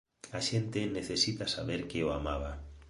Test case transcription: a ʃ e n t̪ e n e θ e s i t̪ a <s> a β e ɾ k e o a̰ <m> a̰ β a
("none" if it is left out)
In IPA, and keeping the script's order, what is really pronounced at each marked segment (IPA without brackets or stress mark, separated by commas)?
s, m